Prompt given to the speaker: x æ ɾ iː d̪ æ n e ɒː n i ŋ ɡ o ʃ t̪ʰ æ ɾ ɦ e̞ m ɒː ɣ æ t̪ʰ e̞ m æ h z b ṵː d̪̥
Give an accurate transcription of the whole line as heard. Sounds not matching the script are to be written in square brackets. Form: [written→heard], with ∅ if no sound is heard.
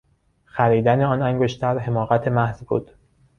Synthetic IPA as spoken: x æ ɾ iː d̪ æ n e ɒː n [i→æ] ŋ ɡ o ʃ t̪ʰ æ ɾ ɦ e̞ m ɒː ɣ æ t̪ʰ e̞ m æ h z b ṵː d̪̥